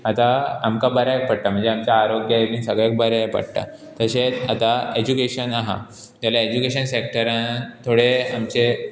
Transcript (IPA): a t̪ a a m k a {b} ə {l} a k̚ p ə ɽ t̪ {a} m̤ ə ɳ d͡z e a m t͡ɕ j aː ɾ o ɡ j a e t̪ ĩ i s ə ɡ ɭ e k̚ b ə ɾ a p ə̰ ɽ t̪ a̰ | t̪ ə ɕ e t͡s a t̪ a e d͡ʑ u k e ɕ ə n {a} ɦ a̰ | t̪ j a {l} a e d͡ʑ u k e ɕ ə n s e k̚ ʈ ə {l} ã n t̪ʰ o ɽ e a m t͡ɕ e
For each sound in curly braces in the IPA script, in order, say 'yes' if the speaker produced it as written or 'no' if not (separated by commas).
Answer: yes, no, yes, yes, yes, no